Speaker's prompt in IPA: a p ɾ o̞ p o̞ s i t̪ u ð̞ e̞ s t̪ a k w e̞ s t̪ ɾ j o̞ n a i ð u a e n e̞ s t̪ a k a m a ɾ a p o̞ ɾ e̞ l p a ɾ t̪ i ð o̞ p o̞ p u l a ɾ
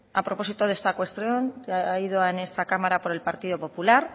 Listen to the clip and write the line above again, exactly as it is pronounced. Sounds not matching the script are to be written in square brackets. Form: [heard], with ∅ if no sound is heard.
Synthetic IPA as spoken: a p ɾ o̞ p o̞ s i t̪ [o] ð̞ e̞ s t̪ a k w e̞ s t̪ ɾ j o̞ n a i ð [o] a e n e̞ s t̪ a k a m a ɾ a p o̞ ɾ e̞ l p a ɾ t̪ i ð o̞ p o̞ p u l a ɾ